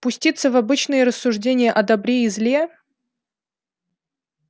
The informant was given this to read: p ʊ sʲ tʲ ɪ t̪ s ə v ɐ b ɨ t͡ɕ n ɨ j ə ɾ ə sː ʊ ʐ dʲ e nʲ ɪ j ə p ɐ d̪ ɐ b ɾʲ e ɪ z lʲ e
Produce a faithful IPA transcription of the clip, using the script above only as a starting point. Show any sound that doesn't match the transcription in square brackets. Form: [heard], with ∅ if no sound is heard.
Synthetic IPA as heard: p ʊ sʲ tʲ [i] t̪ s ə v ɐ b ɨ t͡ɕ n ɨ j ə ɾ ə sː ʊ ʐ dʲ e nʲ ɪ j ə [ʔ] ɐ d̪ ɐ b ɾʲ e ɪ z lʲ e